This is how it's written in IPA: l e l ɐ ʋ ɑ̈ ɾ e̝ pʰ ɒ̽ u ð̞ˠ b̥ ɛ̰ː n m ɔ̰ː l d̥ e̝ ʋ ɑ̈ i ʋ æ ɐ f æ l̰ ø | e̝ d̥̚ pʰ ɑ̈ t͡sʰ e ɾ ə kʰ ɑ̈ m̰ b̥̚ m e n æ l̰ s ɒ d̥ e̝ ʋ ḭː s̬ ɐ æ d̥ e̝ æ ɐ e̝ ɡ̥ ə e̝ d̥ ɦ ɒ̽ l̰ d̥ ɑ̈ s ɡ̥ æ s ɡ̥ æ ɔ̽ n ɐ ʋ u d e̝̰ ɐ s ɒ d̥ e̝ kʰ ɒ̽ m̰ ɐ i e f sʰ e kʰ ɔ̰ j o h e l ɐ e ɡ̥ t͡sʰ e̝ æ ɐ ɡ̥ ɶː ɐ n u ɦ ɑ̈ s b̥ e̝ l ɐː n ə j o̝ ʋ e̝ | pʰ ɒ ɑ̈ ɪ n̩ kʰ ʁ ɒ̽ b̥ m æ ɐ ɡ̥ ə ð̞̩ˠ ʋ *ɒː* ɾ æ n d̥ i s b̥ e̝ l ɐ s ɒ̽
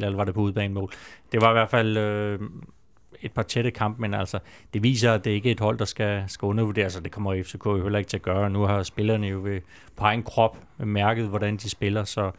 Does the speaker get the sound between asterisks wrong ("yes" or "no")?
yes